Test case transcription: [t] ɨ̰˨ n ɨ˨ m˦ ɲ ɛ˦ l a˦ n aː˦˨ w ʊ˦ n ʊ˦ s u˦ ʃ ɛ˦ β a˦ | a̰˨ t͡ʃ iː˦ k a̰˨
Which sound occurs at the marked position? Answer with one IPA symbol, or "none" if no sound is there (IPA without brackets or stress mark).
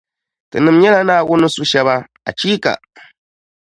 t